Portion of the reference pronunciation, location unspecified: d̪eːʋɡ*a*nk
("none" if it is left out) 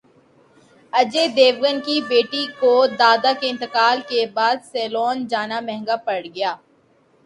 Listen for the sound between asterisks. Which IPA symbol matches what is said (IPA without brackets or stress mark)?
ə